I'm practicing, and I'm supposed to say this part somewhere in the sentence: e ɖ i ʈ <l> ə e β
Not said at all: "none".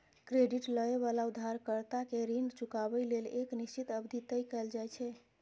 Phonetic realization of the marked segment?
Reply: l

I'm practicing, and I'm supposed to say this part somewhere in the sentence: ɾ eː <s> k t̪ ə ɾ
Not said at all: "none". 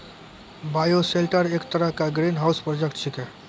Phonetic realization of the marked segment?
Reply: none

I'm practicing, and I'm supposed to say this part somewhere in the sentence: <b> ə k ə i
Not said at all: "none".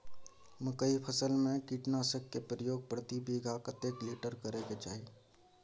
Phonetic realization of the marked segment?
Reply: m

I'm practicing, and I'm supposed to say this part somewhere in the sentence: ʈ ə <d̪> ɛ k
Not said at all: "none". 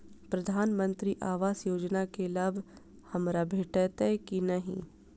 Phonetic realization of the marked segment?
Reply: t̪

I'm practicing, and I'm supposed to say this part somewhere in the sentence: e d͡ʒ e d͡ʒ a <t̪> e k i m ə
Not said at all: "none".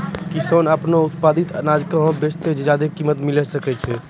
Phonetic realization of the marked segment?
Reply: d̪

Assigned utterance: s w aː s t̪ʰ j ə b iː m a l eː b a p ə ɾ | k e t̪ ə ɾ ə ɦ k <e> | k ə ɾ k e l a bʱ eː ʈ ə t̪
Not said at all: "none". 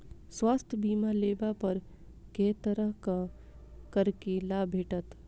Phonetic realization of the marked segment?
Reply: a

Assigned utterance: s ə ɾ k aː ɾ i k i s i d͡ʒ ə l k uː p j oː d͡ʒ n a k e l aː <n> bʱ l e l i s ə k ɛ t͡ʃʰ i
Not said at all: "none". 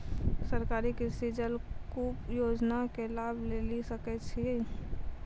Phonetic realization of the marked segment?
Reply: none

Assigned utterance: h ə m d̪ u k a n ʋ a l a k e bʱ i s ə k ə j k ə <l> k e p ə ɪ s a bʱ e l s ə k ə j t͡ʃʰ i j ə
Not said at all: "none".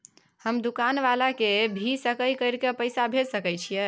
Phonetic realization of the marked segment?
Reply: ɾ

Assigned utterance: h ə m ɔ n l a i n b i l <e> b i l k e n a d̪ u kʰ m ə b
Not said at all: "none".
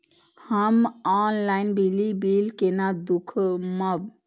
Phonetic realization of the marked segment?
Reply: i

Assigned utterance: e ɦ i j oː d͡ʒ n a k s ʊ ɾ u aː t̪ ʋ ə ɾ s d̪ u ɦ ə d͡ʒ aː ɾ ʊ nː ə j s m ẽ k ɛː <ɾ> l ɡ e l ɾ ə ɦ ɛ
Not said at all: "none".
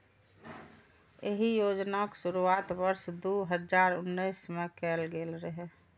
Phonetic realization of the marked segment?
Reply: none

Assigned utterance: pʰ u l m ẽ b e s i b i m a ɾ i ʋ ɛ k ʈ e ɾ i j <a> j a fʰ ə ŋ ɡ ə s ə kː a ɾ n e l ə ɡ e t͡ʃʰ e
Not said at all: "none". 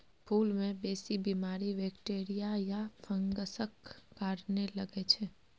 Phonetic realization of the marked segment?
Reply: a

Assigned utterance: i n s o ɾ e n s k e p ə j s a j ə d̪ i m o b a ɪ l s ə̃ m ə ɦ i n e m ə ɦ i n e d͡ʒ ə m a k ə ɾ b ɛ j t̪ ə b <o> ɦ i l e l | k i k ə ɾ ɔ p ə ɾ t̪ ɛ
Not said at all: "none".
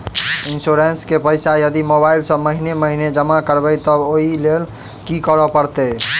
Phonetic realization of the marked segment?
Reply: o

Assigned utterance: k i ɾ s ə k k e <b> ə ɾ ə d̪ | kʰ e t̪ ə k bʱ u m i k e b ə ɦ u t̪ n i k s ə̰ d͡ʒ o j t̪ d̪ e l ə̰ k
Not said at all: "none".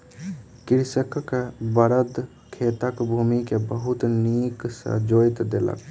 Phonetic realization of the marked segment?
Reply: b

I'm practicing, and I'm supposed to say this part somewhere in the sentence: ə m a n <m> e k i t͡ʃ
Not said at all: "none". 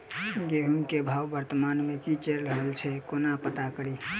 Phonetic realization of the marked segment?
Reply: m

